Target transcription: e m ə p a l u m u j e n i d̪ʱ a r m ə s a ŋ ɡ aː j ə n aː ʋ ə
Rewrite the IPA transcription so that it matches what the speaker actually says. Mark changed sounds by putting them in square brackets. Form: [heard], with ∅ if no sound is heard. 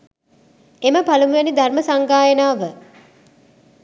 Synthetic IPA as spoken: e m ə p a l u m u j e n i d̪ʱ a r m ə s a ŋ ɡ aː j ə n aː ʋ ə